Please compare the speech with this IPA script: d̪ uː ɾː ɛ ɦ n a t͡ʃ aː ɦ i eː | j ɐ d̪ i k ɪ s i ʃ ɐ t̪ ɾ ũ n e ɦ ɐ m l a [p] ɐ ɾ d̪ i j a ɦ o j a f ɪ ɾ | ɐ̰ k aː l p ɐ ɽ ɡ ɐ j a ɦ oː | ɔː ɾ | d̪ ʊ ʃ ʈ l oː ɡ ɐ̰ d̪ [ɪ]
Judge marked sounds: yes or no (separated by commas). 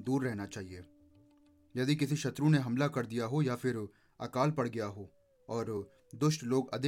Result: no, yes